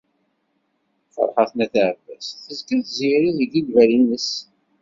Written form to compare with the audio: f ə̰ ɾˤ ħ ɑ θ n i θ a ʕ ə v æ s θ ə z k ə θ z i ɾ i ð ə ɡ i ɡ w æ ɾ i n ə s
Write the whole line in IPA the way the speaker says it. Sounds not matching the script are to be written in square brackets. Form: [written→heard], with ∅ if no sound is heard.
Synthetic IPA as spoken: f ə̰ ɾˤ ħ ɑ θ n [i→æ] θ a ʕ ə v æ s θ ə z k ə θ z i ɾ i ð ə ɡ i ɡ [w→v] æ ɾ i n ə s

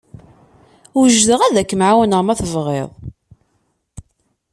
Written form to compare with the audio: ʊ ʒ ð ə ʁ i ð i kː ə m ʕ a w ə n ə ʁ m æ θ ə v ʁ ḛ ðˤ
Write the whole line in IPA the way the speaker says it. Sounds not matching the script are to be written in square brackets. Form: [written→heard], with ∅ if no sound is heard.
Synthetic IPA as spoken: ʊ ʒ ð ə ʁ [i→æ] ð [i→æ] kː ə m ʕ a w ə n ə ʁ m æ θ ə v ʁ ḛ ðˤ

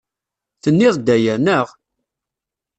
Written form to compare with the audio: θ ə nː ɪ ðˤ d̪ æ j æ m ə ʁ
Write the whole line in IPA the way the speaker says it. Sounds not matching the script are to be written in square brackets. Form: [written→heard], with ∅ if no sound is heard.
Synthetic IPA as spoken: θ ə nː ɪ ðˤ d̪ æ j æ [m→n] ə ʁ

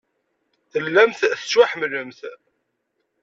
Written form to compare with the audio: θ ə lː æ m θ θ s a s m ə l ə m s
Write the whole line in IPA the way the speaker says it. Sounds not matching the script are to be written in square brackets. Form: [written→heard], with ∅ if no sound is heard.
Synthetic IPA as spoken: θ ə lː æ m θ θ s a [s→ħ] m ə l ə m [s→θ]

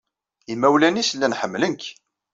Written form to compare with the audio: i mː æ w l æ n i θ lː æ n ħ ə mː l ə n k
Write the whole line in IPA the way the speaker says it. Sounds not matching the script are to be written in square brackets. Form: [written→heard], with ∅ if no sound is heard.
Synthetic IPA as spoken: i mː æ w l æ n i [θ→s] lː æ n ħ ə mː l ə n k

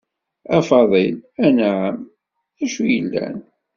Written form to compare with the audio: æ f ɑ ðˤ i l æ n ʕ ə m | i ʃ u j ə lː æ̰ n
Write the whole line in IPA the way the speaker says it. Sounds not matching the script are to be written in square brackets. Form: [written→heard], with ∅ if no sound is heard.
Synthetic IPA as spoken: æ f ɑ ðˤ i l æ n ʕ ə m | [i→æ] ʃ u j ə lː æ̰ n

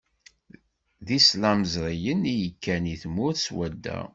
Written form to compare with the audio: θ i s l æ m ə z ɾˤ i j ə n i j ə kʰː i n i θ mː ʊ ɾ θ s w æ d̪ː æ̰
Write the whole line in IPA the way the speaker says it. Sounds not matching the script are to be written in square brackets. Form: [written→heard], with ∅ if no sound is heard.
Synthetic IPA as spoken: [θ→ð] i s l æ m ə z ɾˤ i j ə n i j ə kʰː [i→æ] n i θ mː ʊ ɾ θ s w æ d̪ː æ̰

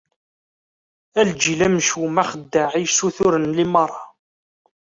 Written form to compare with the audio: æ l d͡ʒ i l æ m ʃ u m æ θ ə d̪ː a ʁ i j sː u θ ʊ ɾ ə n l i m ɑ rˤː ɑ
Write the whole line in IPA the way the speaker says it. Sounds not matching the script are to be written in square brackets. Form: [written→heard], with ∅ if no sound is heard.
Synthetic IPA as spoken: æ l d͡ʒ i l æ m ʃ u m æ [θ→χ] ə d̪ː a [ʁ→ʕ] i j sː u θ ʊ ɾ ə n l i m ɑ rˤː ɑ

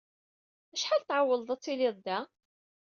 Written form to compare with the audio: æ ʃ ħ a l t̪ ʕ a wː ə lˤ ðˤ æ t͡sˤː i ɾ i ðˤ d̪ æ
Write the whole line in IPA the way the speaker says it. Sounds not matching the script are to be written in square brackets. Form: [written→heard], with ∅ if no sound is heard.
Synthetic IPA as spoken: æ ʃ ħ a l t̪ ʕ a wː ə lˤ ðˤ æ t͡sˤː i [ɾ→l] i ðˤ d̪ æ

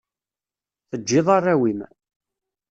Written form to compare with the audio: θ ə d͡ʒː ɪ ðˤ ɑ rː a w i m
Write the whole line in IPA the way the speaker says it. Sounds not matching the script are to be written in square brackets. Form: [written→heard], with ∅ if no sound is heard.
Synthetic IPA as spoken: θ ə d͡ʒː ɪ ðˤ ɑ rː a w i m

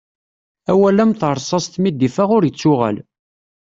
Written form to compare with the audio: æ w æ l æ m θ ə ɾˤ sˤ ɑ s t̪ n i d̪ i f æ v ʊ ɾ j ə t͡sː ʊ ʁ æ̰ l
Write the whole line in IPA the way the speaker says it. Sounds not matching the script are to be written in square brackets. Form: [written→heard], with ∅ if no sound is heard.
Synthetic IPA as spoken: æ w æ l æ m θ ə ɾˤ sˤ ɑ s t̪ [n→m] i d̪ i f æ [v→ʁ] ʊ ɾ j ə t͡sː ʊ ʁ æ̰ l

